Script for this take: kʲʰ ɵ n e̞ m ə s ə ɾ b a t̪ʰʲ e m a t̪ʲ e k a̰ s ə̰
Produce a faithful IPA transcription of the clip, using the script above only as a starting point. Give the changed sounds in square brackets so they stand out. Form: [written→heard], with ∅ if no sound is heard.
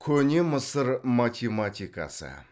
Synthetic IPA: kʲʰ ɵ n e̞ m ə s ə ɾ [b→m] a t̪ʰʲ e m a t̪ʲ [e→i] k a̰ s ə̰